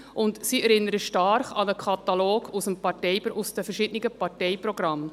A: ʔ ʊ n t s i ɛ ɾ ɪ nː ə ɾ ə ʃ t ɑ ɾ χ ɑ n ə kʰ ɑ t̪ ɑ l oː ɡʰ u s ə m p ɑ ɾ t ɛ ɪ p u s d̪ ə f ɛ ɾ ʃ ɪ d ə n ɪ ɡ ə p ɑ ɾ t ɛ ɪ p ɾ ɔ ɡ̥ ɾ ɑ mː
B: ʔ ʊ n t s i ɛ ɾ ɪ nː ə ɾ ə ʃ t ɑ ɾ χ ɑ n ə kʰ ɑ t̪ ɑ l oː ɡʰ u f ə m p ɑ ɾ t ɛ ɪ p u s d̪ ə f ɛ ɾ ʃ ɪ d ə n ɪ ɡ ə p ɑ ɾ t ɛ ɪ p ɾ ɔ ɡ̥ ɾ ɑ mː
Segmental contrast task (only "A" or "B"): A